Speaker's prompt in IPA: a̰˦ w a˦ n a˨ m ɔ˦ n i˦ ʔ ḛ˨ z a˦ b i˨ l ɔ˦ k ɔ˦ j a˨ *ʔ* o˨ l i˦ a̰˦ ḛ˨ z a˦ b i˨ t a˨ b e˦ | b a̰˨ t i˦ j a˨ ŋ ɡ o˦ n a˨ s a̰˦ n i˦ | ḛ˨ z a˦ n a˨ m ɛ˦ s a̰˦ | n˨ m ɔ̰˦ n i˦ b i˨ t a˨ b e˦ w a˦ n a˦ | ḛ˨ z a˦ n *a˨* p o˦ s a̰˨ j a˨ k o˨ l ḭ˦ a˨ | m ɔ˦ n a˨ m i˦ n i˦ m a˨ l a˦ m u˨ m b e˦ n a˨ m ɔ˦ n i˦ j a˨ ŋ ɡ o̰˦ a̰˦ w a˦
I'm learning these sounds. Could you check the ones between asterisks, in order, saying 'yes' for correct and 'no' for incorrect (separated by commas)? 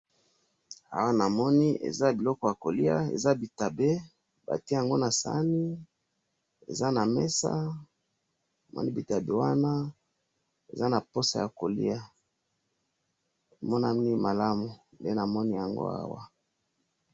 no, yes